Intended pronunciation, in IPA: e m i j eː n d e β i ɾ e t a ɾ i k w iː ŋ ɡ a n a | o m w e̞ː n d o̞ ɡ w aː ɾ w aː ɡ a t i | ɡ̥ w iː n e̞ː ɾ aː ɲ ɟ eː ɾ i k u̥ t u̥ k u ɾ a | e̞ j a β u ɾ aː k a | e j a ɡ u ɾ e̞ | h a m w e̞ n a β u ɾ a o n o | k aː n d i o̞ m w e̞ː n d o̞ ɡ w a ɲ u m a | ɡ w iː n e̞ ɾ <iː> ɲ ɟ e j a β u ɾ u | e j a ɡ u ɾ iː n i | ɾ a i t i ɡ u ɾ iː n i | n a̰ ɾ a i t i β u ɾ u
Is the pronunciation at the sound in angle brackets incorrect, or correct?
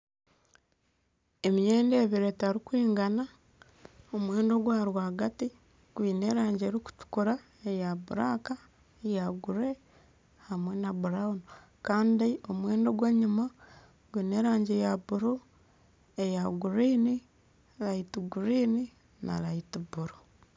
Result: incorrect